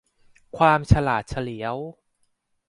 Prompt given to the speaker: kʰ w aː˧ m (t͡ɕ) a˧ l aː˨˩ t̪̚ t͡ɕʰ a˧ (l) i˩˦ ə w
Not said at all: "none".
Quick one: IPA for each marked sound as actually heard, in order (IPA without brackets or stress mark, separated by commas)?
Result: t͡ɕʰ, l